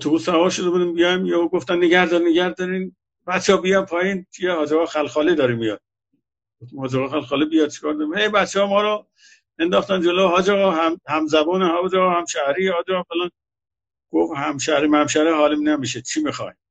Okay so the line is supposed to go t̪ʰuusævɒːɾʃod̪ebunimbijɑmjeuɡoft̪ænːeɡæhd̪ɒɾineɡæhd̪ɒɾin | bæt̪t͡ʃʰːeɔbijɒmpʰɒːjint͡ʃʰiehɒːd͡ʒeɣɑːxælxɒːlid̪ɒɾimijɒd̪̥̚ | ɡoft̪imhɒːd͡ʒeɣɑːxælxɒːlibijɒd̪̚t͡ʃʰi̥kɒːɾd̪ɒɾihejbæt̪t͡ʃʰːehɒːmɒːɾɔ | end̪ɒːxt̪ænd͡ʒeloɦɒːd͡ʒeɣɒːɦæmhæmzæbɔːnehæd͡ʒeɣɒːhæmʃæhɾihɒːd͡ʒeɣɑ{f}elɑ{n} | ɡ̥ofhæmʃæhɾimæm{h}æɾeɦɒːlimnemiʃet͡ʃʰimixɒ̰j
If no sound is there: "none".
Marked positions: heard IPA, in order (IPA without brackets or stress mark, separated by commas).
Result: f, n, ʃ